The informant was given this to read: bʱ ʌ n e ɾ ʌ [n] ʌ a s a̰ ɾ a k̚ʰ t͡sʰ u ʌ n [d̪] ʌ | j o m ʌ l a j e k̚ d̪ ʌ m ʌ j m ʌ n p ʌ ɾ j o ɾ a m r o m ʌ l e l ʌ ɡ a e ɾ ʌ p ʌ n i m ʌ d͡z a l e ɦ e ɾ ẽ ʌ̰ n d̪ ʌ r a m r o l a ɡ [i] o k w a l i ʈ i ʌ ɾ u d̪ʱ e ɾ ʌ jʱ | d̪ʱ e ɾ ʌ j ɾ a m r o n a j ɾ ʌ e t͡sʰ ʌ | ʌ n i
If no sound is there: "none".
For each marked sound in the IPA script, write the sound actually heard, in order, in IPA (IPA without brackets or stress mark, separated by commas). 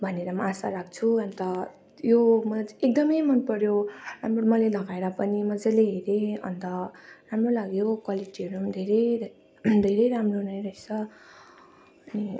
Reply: m, t̪, j